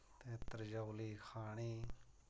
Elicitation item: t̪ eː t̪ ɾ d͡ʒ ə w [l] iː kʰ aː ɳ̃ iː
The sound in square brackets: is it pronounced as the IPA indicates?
yes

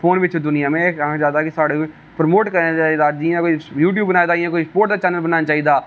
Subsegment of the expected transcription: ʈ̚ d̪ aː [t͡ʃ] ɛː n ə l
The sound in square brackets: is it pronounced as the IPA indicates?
yes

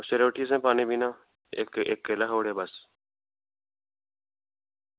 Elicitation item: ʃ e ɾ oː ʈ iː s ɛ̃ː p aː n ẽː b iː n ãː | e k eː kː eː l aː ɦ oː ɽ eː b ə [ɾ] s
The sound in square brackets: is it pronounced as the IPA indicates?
no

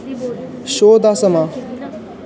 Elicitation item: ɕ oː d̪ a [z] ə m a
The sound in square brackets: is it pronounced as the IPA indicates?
no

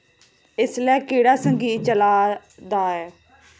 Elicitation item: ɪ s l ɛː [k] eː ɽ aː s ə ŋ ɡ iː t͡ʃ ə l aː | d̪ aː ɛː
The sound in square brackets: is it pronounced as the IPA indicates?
yes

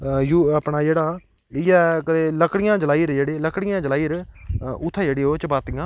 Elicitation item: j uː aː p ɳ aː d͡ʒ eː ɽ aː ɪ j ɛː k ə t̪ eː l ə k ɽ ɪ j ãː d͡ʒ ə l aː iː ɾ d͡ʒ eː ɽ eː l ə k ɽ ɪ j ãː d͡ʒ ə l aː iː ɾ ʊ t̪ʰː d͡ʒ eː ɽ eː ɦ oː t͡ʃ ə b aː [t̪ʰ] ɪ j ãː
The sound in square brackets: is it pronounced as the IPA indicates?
no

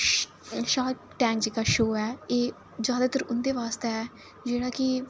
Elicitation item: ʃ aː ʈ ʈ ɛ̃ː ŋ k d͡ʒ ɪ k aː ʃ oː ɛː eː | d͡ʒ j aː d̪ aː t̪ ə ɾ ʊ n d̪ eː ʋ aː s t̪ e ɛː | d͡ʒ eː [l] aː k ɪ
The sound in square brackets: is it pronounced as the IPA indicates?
no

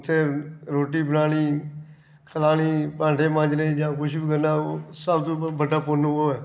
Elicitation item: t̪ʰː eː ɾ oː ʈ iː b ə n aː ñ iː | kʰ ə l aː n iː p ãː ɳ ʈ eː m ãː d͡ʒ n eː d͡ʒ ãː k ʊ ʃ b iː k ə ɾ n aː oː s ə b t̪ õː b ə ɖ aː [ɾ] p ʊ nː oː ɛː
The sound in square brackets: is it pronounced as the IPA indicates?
no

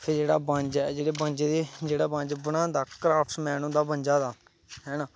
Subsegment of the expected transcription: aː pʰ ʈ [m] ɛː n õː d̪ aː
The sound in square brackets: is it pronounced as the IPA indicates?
yes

